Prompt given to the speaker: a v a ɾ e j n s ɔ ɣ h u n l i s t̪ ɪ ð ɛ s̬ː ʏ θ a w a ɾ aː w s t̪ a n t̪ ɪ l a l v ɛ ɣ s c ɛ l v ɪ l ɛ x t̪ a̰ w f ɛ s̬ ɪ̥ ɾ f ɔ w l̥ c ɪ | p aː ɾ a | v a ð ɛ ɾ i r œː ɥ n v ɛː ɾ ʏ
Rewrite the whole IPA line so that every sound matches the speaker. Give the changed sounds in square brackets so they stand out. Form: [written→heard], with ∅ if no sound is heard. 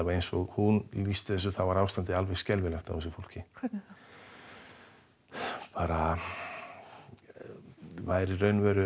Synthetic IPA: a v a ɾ e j n s ɔ ɣ h u n l i s t̪ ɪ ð ɛ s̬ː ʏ θ a [w→v] a ɾ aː w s t̪ a n t̪ ɪ [l→∅] a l v ɛ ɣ s c ɛ l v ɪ l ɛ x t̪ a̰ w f ɛ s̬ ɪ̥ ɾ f [ɔ→o] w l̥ c ɪ | p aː ɾ a | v a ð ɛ ɾ i r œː ɥ n v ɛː ɾ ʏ